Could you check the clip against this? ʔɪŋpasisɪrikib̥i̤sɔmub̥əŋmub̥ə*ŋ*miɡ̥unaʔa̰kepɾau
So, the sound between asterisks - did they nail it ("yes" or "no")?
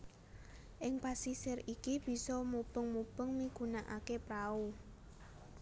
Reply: yes